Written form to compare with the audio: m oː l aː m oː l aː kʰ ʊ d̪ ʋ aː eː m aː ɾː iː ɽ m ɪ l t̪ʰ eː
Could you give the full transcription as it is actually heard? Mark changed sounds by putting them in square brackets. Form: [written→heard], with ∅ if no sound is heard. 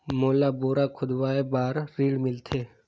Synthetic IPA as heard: m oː l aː [m→b] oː [l→ɾ] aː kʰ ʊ d̪ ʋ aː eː [m→b] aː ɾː iː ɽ m ɪ l t̪ʰ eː

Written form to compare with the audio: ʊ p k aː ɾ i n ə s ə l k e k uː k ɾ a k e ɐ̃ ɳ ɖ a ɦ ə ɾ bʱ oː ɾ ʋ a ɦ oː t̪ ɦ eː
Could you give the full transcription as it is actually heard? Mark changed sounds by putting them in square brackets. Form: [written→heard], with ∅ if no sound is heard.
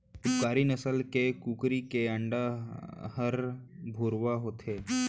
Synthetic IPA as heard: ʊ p k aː ɾ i n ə s ə l k e k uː k ɾ [a→i] k e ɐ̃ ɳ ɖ a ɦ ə ɾ bʱ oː ɾ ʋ a ɦ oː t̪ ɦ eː

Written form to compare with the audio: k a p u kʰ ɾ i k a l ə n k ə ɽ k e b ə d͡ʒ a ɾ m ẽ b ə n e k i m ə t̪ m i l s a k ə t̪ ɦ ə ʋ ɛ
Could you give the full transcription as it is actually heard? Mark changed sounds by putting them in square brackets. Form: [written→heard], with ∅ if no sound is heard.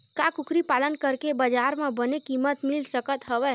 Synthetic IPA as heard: k a [p→k] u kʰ ɾ i [k→p] a l ə n k ə [ɽ→ɾ] k e b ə d͡ʒ a ɾ m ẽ b ə n e k i m ə t̪ m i l s [a→ə] k ə t̪ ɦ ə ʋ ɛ

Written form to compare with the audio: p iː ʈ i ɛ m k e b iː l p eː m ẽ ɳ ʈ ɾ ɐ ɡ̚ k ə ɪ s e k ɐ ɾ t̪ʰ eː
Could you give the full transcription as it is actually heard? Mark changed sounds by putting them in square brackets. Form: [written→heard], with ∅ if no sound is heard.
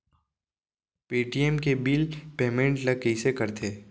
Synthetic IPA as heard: p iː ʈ i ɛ m k e b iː l p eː m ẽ ɳ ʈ [ɾ→l] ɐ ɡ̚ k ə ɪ s e k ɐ ɾ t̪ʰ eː

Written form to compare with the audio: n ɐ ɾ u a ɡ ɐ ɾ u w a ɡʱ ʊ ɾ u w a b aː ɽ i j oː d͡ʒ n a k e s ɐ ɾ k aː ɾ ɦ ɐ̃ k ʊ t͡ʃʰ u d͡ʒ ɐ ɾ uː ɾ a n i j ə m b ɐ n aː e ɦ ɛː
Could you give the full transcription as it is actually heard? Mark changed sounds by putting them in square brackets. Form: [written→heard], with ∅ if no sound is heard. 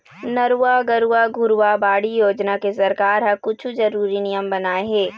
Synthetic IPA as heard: n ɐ ɾ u a ɡ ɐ ɾ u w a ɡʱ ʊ ɾ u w a b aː ɽ i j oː d͡ʒ n a k e s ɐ ɾ k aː ɾ ɦ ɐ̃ k ʊ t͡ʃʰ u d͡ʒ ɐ ɾ uː ɾ [a→i] n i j ə m b ɐ n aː e ɦ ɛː

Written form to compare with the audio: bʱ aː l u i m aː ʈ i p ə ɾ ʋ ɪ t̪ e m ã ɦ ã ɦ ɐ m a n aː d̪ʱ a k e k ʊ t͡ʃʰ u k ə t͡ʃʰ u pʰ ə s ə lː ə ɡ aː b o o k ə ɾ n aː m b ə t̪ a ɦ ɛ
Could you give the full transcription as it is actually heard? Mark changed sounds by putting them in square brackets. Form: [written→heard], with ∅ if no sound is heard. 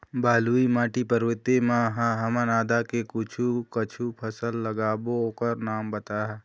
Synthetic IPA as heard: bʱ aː l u i m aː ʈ i p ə ɾ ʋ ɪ t̪ e m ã ɦ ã ɦ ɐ m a n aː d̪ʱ a k e k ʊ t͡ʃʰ u k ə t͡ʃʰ u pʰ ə s ə lː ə ɡ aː b o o k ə ɾ n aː m b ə t̪ a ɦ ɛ

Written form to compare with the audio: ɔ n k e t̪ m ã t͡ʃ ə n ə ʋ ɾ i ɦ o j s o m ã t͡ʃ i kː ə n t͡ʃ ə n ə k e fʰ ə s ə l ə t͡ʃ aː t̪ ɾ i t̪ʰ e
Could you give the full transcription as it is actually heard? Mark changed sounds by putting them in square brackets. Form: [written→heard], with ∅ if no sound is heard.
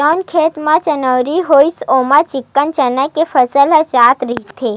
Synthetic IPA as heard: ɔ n [k→kʰ] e t̪ m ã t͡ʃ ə n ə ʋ ɾ i ɦ o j s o m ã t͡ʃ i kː ə n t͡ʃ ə n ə k e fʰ ə s ə l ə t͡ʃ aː t̪ ɾ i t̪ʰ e

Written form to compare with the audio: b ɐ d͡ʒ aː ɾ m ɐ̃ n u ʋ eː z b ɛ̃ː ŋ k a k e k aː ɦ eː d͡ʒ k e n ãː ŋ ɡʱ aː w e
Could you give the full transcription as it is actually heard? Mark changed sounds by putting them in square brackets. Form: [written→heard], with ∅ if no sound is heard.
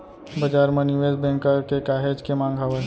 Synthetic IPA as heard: b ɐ d͡ʒ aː ɾ m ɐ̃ n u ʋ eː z b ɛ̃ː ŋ k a k e k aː ɦ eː d͡ʒ k e [n→m] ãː ŋ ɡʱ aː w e

